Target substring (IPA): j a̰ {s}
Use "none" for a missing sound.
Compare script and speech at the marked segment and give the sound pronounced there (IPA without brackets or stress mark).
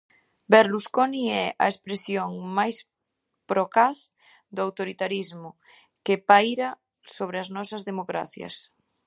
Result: s